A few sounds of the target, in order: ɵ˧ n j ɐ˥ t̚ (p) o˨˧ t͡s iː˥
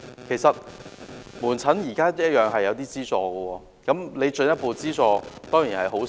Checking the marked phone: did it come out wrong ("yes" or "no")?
no